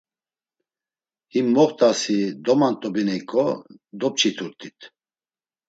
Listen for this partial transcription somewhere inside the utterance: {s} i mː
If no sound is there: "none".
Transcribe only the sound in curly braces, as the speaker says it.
h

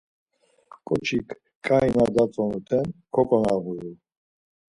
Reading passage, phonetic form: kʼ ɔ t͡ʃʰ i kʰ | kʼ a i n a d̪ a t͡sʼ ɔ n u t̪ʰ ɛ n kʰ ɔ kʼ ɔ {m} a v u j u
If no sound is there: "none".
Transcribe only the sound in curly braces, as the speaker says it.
n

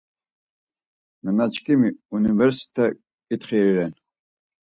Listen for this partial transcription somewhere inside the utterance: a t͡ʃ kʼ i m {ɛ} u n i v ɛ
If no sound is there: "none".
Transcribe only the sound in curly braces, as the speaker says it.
i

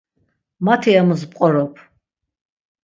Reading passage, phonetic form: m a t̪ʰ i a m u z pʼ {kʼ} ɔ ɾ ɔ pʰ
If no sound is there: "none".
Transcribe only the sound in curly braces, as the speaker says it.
qʼ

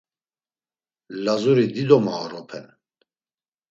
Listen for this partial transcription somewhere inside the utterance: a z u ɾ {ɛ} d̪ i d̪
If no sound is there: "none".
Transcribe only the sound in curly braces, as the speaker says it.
i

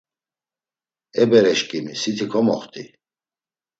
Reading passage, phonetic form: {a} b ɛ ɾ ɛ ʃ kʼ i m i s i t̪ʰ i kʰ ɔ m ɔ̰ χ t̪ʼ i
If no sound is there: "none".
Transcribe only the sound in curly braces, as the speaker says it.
ɛ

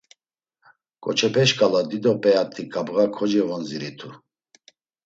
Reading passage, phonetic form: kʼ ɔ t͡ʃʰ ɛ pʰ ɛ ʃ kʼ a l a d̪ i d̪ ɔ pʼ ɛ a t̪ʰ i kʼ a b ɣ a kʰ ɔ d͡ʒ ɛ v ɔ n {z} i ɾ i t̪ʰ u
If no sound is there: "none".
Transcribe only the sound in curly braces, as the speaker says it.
z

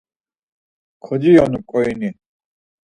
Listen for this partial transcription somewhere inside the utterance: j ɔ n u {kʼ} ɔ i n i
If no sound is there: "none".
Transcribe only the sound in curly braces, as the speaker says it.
kʼ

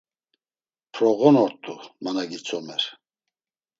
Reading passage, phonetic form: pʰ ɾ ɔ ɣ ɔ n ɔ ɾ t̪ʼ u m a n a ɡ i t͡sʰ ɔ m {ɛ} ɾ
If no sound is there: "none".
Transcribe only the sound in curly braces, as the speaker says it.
ɛ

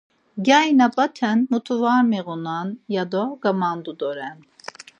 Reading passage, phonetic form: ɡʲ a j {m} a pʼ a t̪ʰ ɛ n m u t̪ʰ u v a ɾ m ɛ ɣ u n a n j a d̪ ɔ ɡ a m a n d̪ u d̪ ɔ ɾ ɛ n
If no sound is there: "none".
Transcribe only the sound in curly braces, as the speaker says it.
n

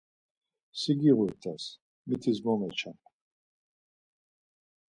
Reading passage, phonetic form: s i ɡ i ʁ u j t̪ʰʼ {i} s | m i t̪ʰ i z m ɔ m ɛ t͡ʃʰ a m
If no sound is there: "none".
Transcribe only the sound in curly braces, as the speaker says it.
a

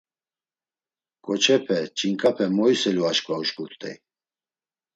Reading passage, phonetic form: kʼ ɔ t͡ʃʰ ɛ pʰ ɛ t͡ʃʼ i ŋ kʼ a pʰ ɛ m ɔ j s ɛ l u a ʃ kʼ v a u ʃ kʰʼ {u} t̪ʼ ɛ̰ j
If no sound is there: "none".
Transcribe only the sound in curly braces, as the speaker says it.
u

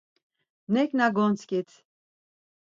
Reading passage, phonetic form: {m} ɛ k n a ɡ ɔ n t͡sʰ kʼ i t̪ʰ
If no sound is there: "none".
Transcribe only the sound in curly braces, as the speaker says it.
n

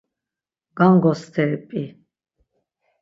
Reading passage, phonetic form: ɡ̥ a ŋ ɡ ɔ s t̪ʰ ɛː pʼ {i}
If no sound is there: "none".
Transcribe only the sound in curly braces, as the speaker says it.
i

